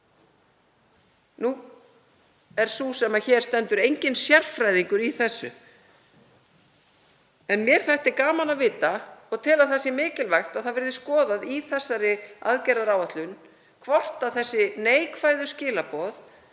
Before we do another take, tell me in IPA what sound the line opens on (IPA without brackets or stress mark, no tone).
n